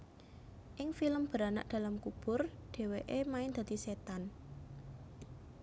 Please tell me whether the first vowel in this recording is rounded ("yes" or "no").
no